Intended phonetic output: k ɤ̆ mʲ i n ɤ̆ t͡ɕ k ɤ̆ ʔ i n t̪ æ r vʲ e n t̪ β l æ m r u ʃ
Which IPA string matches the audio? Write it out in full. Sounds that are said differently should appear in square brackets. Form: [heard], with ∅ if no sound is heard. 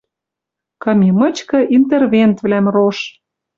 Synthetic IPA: k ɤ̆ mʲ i [m] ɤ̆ t͡ɕ k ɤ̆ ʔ i n t̪ [e] r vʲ e n t̪ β l æ m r [o] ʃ